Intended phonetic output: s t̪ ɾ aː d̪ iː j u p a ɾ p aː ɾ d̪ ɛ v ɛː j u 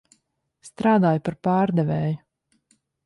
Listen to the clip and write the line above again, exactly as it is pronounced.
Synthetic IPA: s t̪ ɾ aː d̪ aː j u p a ɾ p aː ɾ d̪ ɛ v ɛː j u

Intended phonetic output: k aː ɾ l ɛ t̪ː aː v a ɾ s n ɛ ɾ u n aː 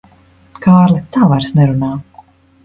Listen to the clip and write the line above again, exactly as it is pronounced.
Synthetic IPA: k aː ɾ l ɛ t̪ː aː v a ɾ s n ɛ ɾ u n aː

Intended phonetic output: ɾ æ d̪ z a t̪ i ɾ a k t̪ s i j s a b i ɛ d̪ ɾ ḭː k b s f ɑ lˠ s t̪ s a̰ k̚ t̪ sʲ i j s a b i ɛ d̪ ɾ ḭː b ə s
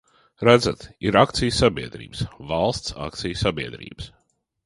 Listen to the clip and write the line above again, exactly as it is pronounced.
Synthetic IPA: ɾ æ d̪ z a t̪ i ɾ a k t̪ s i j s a b i ɛ d̪ ɾ ḭː b s v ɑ lˠ s t̪ s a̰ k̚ t̪ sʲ i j s a b i ɛ d̪ ɾ ḭː b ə s

